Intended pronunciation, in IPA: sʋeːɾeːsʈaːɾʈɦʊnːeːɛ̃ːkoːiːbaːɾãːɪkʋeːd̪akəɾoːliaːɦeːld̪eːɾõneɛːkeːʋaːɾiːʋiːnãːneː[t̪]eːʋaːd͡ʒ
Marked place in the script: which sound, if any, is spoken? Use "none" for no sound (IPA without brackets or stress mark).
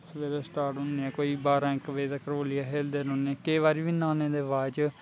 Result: d̪